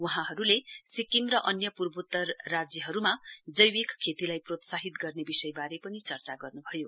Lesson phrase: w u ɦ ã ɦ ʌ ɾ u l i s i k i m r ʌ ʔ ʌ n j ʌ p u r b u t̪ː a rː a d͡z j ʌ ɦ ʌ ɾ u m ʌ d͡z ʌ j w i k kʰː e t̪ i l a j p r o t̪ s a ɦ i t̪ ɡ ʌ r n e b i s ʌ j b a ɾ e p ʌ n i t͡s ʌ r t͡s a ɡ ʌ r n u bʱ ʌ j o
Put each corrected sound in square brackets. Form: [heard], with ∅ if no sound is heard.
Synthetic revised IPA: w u ɦ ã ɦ ʌ ɾ u l [e] s i k i m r ʌ ʔ ʌ n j ʌ p u r b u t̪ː [ʌ] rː a d͡z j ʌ ɦ ʌ ɾ u m [a] d͡z ʌ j w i k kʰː e t̪ i l a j p r o t̪ s a ɦ i t̪ ɡ ʌ r n e b i s ʌ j b a ɾ e p ʌ n i t͡s ʌ r t͡s a ɡ ʌ r n u bʱ ʌ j o